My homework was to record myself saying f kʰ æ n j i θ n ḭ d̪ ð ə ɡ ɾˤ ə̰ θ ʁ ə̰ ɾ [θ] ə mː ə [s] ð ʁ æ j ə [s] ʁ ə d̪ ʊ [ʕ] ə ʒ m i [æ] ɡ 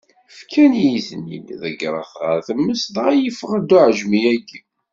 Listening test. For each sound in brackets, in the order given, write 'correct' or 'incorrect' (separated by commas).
correct, correct, incorrect, correct, correct